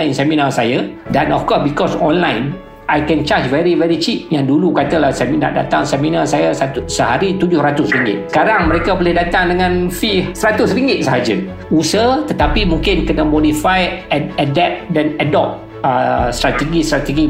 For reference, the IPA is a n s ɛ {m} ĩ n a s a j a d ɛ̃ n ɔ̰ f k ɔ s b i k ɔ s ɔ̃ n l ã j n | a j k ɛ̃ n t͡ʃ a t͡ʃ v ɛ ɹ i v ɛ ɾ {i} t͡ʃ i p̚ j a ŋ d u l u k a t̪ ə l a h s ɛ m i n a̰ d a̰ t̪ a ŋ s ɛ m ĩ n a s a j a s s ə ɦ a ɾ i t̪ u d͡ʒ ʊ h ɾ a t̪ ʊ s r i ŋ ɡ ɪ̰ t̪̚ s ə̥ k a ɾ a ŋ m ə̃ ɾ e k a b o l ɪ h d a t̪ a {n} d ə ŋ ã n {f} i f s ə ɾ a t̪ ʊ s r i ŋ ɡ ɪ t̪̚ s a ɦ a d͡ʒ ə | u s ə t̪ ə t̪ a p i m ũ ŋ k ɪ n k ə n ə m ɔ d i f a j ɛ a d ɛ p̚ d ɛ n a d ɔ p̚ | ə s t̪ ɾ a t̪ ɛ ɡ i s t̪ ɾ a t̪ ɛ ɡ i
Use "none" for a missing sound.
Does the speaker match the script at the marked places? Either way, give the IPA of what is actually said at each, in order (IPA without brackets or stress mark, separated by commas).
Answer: m, i, ŋ, f